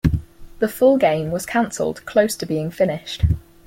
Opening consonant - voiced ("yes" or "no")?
yes